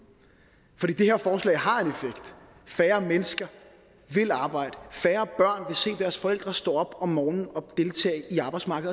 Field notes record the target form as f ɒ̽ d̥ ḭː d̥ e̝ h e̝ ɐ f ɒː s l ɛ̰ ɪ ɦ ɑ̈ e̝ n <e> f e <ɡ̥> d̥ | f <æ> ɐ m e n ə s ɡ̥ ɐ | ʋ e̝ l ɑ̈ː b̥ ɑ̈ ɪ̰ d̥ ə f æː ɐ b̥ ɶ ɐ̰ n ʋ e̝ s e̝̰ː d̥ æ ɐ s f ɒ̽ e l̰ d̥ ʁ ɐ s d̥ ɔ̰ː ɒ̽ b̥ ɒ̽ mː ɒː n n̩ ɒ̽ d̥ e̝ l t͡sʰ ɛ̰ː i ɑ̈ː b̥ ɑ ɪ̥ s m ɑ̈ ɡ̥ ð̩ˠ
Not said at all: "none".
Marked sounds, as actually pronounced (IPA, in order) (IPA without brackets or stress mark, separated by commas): e, ɡ̥, æː